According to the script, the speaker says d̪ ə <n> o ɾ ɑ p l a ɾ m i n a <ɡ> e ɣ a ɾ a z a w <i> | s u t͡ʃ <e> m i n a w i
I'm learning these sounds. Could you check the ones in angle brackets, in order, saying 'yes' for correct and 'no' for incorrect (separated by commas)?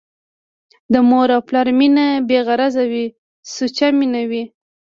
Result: no, no, yes, no